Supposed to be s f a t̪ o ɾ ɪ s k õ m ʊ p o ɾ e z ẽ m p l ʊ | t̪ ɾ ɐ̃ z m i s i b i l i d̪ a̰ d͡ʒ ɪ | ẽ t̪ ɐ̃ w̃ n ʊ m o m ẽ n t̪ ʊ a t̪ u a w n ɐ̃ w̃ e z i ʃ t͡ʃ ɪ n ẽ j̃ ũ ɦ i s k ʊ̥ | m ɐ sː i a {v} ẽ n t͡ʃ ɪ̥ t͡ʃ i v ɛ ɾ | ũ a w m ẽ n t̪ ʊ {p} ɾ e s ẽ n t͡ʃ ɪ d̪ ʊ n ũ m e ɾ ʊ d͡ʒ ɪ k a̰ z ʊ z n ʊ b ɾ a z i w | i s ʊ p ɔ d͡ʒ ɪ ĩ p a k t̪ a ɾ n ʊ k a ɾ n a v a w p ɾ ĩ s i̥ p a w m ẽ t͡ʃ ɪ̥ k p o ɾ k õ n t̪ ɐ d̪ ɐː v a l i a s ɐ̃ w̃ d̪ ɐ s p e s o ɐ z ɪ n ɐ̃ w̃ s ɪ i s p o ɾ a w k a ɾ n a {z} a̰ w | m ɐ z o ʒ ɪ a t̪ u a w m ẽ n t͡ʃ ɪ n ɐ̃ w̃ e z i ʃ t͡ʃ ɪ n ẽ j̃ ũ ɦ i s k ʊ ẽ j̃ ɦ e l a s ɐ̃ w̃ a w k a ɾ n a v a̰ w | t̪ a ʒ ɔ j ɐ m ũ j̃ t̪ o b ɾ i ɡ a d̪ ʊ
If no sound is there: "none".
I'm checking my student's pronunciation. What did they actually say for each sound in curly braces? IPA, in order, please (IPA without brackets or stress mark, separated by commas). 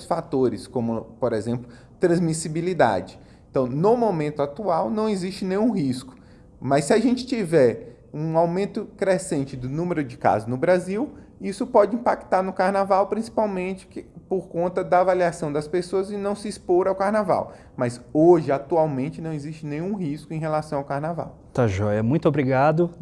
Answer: ʒ, k, v